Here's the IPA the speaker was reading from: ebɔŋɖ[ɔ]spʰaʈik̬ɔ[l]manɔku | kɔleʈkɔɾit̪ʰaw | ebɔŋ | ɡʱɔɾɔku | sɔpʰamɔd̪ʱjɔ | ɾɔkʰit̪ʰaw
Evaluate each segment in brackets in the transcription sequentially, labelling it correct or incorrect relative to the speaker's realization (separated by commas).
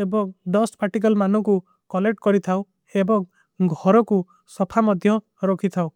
correct, correct